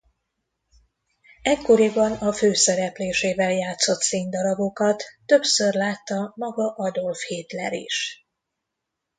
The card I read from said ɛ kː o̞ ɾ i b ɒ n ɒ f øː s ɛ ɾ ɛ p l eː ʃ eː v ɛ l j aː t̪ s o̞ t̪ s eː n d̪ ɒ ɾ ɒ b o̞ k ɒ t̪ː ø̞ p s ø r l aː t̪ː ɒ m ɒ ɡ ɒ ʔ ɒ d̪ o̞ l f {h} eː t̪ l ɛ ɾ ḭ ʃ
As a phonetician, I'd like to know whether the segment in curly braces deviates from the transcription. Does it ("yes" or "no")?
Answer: no